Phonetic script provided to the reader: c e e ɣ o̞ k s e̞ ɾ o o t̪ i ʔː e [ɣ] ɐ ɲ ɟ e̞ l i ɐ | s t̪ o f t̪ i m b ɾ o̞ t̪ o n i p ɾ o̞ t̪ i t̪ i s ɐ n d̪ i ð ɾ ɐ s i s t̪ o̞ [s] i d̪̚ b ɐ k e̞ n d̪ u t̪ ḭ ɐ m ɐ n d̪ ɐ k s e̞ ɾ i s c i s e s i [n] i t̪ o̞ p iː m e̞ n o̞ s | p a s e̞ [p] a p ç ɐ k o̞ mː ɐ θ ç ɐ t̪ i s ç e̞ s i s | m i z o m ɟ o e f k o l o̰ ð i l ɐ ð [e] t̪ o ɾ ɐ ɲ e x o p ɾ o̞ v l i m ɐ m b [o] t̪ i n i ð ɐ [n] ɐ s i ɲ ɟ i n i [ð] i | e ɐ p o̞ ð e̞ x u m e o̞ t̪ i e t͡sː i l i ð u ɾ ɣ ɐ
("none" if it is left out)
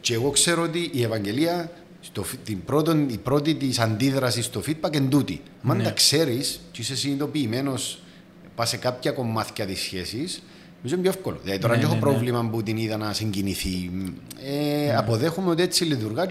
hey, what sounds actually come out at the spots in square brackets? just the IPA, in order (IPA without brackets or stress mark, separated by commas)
v, f, n, k, i, u, n, θ